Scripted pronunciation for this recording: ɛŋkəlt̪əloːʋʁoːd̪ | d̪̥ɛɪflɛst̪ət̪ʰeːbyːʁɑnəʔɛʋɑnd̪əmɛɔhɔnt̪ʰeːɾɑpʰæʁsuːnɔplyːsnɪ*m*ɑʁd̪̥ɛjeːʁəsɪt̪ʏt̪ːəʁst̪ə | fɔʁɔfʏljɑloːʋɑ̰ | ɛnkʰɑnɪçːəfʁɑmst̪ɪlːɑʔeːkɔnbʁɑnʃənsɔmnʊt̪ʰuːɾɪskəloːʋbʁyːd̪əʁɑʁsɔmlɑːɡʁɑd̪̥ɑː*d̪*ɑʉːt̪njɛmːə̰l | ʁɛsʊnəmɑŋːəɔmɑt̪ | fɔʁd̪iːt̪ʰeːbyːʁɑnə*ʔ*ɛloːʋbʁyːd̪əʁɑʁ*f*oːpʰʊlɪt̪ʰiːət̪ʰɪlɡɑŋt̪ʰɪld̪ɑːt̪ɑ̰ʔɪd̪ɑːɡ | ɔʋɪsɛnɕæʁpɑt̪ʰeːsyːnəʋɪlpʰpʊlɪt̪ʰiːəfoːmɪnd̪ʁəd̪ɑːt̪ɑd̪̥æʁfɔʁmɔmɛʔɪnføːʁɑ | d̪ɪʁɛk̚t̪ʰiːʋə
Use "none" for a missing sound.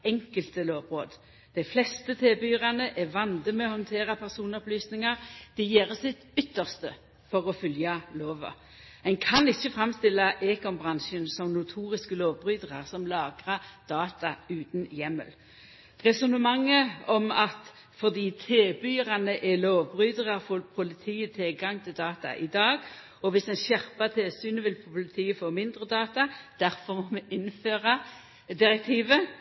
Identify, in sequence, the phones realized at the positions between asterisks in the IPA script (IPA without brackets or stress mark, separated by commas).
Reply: ŋ, t̪, ʔ, f